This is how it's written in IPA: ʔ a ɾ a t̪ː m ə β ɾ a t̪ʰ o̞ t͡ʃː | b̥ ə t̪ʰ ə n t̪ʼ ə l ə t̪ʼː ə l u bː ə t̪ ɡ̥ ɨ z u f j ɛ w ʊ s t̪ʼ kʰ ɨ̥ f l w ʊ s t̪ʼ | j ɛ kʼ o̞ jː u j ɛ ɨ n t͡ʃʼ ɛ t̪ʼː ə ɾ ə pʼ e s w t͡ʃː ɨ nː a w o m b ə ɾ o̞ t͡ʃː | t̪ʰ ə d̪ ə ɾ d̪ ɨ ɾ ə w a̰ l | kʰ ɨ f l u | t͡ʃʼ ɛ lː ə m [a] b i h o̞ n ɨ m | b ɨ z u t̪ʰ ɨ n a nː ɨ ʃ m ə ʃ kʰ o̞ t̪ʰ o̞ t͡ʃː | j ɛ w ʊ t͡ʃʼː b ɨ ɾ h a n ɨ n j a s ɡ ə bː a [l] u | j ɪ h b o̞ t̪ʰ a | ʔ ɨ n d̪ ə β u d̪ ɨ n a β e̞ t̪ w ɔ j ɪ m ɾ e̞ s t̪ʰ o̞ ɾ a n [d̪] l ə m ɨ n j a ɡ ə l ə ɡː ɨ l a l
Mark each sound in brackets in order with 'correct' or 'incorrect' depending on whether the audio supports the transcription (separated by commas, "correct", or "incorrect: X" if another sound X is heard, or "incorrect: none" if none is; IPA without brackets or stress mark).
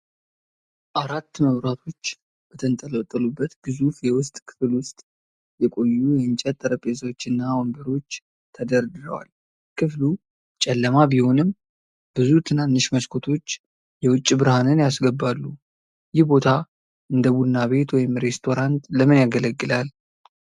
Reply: correct, incorrect: lː, incorrect: t̪